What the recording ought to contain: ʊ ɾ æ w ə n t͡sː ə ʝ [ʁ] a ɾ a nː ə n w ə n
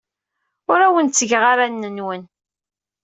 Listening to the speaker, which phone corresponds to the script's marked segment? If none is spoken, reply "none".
ʁ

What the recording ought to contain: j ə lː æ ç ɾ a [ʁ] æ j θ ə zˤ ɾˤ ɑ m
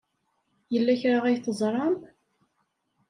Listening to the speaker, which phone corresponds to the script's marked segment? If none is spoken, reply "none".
ʁ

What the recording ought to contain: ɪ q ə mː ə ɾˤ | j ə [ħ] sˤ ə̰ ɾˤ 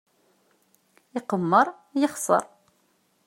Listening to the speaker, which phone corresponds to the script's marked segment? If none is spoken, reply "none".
χ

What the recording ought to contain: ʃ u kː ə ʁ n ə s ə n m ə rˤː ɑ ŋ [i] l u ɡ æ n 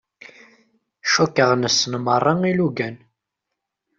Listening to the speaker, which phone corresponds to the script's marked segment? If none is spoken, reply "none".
i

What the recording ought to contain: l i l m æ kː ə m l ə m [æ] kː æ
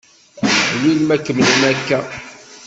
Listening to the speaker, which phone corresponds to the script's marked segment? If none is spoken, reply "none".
æ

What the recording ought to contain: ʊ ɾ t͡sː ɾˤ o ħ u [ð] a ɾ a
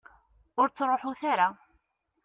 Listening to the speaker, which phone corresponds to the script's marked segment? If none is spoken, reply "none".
θ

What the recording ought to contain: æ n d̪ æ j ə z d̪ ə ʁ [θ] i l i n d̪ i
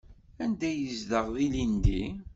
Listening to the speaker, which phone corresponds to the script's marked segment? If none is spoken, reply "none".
ð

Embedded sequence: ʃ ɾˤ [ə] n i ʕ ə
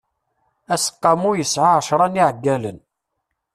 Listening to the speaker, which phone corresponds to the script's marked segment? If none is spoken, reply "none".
ɑ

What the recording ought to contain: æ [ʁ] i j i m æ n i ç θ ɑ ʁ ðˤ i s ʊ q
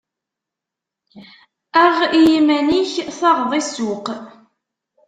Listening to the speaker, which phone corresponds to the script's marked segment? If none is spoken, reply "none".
ʁ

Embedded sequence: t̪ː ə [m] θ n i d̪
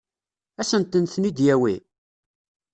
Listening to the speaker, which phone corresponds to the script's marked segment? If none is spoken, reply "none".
n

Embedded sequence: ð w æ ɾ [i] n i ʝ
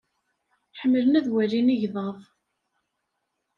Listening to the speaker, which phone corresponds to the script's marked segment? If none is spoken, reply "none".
i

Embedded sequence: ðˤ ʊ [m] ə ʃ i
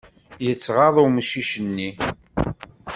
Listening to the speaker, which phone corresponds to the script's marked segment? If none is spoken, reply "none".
m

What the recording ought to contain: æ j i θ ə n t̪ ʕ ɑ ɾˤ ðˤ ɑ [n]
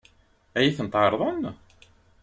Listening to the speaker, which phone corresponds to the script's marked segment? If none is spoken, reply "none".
n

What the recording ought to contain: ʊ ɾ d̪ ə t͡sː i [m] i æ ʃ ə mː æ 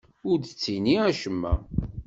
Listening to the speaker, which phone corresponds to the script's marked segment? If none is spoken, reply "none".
n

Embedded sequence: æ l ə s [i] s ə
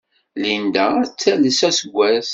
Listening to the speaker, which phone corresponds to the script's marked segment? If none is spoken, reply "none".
æ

